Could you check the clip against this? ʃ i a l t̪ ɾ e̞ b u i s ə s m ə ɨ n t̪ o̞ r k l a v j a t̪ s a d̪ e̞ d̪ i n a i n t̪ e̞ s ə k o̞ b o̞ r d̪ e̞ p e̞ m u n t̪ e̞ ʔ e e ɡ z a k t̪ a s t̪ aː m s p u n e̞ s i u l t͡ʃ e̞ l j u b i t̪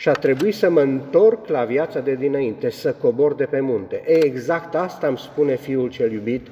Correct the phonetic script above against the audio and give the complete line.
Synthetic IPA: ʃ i a t̪ ɾ e̞ b u i s ə m ə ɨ n t̪ o̞ r k l a v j a t̪ s a d̪ e̞ d̪ i n a i n t̪ e̞ s ə k o̞ b o̞ r d̪ e̞ p e̞ m u n t̪ e̞ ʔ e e ɡ z a k t̪ a s t̪ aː m s p u n e̞ f i u l t͡ʃ e̞ l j u b i t̪